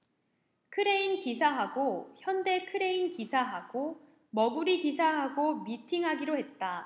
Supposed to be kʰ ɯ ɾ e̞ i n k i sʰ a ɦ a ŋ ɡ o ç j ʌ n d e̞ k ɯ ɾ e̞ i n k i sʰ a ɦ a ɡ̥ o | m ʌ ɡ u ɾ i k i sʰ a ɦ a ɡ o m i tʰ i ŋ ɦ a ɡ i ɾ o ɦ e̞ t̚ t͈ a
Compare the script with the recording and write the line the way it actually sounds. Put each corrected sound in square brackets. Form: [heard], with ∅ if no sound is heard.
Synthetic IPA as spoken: kʰ ɯ ɾ e̞ i n k i sʰ a ɦ a [∅] ɡ o ç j ʌ n d e̞ [kʰ] ɯ ɾ e̞ i n k i sʰ a ɦ a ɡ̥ o | m ʌ ɡ u ɾ i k i sʰ a ɦ a ɡ o m i tʰ i ŋ ɦ a ɡ i ɾ o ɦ e̞ t̚ t͈ a